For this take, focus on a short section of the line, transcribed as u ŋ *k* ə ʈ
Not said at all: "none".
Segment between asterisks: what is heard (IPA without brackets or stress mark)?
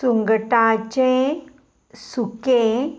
ɡ